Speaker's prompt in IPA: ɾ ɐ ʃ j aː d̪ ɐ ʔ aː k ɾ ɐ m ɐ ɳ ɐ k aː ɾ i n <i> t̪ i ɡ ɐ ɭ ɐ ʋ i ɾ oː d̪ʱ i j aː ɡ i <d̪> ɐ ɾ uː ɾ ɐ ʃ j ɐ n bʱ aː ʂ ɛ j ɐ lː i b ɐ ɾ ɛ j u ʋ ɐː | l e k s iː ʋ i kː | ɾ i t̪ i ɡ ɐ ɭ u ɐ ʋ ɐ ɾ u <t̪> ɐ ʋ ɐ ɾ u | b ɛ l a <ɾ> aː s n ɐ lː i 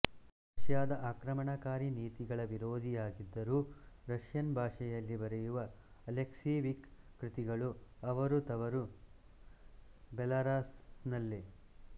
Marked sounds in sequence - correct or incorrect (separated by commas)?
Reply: incorrect, incorrect, correct, correct